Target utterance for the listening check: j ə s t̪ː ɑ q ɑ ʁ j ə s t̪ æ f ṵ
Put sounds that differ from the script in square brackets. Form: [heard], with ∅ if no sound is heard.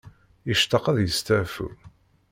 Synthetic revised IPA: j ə [ʃ] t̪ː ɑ q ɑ [ð] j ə s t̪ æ f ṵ